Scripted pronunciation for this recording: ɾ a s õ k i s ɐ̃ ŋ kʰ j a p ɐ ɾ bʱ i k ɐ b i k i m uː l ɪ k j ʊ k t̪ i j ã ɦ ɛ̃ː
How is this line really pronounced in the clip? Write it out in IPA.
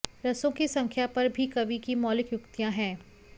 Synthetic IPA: ɾ ɐ s õ k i s ɐ̃ ŋ kʰ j a p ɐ ɾ bʱ i k ɐ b i k i m ɔː l ɪ k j ʊ k t̪ i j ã ɦ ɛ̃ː